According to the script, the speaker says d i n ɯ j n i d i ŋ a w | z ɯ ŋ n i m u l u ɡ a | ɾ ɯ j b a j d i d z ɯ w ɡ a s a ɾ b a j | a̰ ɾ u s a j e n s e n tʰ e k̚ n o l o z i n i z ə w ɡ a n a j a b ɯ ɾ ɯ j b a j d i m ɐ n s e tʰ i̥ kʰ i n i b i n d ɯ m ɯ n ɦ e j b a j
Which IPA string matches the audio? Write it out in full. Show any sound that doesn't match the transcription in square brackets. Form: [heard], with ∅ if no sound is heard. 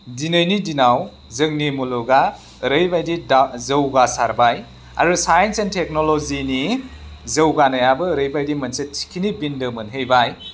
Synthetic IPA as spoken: d i n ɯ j n i d i [n] a w | z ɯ ŋ n i m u l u ɡ a | ɾ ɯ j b a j d i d z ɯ w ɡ a s a ɾ b a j | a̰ ɾ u s a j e n s e n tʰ e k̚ n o l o z i n i z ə w ɡ a n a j a b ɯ ɾ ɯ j b a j d i m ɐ n s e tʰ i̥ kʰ i n i b i n d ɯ m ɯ n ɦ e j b a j